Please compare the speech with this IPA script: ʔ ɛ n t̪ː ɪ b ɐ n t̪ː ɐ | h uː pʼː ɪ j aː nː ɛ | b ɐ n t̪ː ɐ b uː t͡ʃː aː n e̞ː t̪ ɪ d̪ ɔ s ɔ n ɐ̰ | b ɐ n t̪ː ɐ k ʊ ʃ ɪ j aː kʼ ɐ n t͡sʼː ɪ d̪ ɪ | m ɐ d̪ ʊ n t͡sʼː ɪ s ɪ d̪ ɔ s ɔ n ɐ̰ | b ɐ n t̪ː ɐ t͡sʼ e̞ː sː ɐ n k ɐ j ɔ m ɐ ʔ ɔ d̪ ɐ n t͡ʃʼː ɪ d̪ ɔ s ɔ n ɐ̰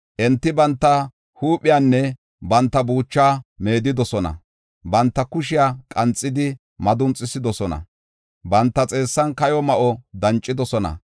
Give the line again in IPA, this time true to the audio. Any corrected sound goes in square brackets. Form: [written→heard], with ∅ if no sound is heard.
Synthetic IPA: ʔ ɛ n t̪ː ɪ b ɐ n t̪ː ɐ | h uː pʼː ɪ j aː nː ɛ | b ɐ n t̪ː ɐ b uː t͡ʃː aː [n→m] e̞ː [t̪→d̪] ɪ d̪ ɔ s ɔ n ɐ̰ | b ɐ n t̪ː ɐ k ʊ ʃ ɪ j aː kʼ ɐ n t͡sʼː ɪ d̪ ɪ | m ɐ d̪ ʊ n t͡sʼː ɪ s ɪ d̪ ɔ s ɔ n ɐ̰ | b ɐ n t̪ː ɐ t͡sʼ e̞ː sː ɐ n k ɐ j ɔ m ɐ ʔ ɔ d̪ ɐ n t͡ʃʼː ɪ d̪ ɔ s ɔ n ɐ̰

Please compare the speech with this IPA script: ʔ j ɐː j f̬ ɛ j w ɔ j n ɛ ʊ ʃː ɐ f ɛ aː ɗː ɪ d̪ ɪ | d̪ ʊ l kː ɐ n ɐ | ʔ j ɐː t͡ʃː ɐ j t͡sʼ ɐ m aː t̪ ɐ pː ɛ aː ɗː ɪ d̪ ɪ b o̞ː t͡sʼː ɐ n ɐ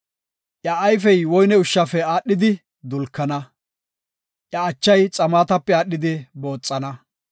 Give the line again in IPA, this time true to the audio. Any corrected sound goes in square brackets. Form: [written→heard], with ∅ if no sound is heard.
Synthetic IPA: ʔ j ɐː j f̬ ɛ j w ɔ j n ɛ ʊ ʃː ɐ f ɛ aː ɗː ɪ d̪ ɪ | d̪ ʊ l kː ɐ n ɐ | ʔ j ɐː t͡ʃː ɐ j t͡sʼ ɐ m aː t̪ ɐ pː ɛ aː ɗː ɪ d̪ ɪ b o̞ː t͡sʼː ɐ n ɐ

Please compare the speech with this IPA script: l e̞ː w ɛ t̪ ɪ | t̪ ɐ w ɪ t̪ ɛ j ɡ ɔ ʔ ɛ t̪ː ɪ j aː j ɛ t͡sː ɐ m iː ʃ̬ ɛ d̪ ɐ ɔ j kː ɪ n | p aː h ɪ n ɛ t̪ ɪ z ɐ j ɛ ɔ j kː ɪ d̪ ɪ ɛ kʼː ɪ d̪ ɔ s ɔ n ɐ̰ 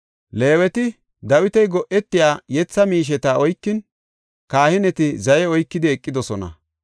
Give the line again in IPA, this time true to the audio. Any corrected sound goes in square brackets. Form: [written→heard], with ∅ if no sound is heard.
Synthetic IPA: l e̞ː w ɛ t̪ ɪ | [t̪→d̪] ɐ w ɪ t̪ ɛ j ɡ ɔ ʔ ɛ t̪ː ɪ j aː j ɛ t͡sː ɐ m iː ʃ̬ ɛ [d̪→t̪] ɐ ɔ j kː ɪ n | [p→k] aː h ɪ n ɛ t̪ ɪ z ɐ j ɛ ɔ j kː ɪ d̪ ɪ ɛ kʼː ɪ d̪ ɔ s ɔ n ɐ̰

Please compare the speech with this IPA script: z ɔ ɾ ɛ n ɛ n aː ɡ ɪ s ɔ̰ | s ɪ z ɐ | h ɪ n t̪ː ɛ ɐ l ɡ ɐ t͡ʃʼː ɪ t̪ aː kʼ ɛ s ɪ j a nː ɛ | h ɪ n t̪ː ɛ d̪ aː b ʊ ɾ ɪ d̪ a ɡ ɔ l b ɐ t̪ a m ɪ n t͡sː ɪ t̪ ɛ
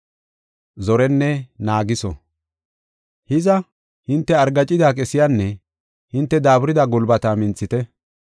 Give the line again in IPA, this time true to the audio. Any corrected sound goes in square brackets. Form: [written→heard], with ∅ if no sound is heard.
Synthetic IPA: z ɔ ɾ ɛ [n→nː] ɛ n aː ɡ ɪ s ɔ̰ | [s→h] ɪ z ɐ | h ɪ n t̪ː ɛ ɐ [l→ɾ] ɡ ɐ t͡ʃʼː ɪ [t̪→d̪] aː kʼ ɛ s ɪ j a nː ɛ | h ɪ n t̪ː ɛ d̪ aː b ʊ ɾ ɪ d̪ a ɡ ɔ l b ɐ t̪ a m ɪ n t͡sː ɪ t̪ ɛ

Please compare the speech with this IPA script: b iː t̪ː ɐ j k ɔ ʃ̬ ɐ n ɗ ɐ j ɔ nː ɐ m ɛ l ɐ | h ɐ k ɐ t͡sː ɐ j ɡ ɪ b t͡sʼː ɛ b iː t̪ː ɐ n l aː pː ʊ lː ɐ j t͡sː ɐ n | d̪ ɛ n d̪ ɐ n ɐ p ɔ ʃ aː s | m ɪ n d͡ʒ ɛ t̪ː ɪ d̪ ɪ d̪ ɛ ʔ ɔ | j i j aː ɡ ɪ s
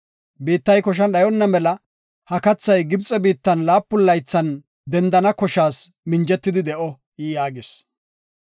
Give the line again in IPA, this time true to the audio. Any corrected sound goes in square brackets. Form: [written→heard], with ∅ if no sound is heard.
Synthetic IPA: b iː t̪ː ɐ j k ɔ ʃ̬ ɐ n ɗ ɐ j ɔ nː ɐ m ɛ l ɐ | h ɐ k ɐ t͡sː ɐ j ɡ ɪ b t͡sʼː ɛ b iː t̪ː ɐ n l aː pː ʊ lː ɐ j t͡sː ɐ n | d̪ ɛ n d̪ ɐ n ɐ [p→k] ɔ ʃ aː s | m ɪ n d͡ʒ ɛ t̪ː ɪ d̪ ɪ d̪ ɛ ʔ ɔ | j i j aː ɡ ɪ s

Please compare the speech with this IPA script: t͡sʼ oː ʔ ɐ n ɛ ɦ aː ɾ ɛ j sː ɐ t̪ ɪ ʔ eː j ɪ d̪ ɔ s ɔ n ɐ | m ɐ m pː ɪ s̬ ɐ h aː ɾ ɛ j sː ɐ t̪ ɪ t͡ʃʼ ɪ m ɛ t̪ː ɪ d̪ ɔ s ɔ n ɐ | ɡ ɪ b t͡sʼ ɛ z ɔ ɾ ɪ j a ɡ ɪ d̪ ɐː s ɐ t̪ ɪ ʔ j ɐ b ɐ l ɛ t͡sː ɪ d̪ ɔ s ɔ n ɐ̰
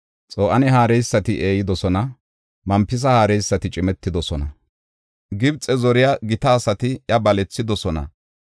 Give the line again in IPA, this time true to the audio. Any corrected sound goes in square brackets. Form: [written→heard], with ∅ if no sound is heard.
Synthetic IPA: t͡sʼ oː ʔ ɐ n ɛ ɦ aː ɾ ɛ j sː ɐ t̪ ɪ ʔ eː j ɪ d̪ ɔ s ɔ n ɐ | m ɐ m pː ɪ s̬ ɐ h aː ɾ ɛ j sː ɐ t̪ ɪ t͡ʃʼ ɪ m ɛ t̪ː ɪ d̪ ɔ s ɔ n ɐ | ɡ ɪ b t͡sʼ ɛ z ɔ ɾ ɪ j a ɡ ɪ [d̪→t̪] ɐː s ɐ t̪ ɪ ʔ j ɐ b ɐ l ɛ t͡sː ɪ d̪ ɔ s ɔ n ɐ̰

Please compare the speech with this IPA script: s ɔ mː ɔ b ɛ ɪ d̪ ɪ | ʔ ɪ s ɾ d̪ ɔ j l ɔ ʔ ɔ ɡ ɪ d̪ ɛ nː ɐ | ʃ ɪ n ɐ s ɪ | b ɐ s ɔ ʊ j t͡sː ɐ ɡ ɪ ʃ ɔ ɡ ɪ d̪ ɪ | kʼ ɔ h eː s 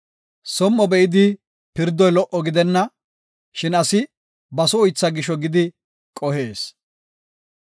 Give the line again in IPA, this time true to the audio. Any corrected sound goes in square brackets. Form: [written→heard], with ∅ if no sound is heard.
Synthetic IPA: s ɔ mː ɔ b ɛ ɪ d̪ ɪ | [ʔ→p] ɪ [s→∅] ɾ d̪ ɔ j l ɔ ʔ ɔ ɡ ɪ d̪ ɛ nː ɐ | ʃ ɪ n ɐ s ɪ | b ɐ s ɔ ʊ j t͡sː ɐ ɡ ɪ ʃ ɔ ɡ ɪ d̪ ɪ | kʼ ɔ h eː s

